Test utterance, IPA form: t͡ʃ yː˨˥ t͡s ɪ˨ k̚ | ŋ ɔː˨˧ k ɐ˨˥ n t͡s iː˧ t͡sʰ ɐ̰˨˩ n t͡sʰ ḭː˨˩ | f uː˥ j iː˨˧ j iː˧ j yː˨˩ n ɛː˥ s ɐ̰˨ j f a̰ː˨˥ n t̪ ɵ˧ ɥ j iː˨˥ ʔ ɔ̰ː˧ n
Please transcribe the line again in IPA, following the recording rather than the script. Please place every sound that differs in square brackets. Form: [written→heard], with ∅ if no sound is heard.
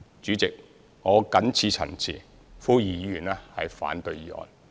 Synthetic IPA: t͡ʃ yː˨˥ t͡s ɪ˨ k̚ | ŋ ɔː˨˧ k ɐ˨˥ n [t͡s→t͡sʰ] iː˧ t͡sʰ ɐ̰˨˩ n t͡sʰ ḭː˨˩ | f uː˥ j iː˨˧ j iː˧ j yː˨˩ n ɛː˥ [s→h] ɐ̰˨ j f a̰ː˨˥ n t̪ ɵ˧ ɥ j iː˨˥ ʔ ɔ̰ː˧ n

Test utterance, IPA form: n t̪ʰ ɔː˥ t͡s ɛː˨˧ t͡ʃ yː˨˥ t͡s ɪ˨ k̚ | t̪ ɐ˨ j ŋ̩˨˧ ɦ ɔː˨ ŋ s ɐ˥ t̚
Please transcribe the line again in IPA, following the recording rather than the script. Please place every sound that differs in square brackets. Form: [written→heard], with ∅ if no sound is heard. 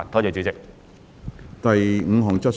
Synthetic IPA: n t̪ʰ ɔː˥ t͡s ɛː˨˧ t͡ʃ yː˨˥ t͡s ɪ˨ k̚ | t̪ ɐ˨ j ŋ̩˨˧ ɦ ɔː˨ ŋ [s→t͡s] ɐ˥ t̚

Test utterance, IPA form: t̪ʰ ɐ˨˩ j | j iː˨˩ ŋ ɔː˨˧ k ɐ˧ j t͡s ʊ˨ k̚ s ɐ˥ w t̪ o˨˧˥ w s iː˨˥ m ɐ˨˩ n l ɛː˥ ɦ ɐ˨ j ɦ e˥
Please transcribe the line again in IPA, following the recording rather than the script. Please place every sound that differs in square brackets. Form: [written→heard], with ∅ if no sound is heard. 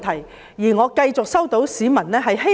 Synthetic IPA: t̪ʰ ɐ˨˩ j | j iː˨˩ ŋ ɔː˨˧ k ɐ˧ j t͡s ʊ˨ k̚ s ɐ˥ w t̪ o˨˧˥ w s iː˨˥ m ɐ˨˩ n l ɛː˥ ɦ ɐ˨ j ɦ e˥

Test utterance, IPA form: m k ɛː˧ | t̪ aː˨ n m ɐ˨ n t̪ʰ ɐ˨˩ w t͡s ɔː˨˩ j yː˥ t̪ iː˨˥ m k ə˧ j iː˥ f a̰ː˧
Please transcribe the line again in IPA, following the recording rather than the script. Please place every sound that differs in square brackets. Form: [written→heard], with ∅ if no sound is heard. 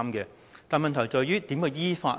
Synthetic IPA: m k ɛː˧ | t̪ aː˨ n m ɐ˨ n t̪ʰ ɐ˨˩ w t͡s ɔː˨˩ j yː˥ t̪ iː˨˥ m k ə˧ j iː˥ f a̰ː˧

